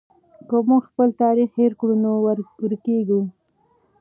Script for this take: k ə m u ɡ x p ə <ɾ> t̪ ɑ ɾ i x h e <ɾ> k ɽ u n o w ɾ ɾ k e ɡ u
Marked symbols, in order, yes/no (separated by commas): no, yes